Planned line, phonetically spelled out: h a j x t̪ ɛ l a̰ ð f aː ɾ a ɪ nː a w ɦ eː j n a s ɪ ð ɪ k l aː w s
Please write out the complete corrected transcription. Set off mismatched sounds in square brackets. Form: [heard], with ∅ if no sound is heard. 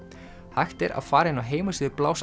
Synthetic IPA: h a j x t̪ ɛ [ɾ] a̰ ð f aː ɾ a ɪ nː a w ɦ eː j [m] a s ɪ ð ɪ [p] l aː w s